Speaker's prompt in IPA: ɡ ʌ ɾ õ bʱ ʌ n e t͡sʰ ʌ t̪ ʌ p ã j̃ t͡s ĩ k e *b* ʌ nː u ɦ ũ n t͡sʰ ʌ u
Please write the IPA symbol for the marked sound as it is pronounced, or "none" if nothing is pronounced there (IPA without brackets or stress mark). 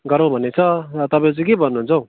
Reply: b